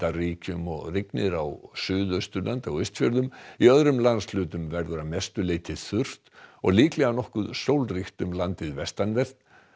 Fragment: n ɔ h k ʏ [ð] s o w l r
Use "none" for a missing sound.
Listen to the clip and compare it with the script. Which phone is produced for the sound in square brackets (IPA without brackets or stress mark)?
ð